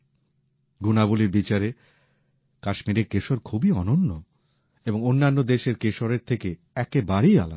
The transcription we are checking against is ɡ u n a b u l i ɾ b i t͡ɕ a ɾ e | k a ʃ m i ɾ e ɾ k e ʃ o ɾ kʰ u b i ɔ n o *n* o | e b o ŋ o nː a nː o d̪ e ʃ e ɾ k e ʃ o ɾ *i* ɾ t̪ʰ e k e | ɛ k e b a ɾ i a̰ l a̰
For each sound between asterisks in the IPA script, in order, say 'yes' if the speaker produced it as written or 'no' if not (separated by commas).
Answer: no, no